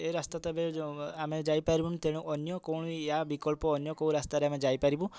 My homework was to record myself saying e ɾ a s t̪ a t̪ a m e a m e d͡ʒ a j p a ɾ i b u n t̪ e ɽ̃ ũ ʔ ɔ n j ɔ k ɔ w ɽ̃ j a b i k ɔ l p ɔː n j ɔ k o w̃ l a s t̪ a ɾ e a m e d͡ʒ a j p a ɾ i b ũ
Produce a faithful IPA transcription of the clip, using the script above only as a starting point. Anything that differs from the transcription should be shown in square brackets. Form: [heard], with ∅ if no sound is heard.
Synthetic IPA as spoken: e ɾ a s t̪ a t̪ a [b] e a m e d͡ʒ a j p a ɾ i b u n t̪ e ɽ̃ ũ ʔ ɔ n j ɔ k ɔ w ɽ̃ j a b i k ɔ l p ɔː n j ɔ k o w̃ [ɾ] a s t̪ a ɾ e a m e d͡ʒ a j p a ɾ i b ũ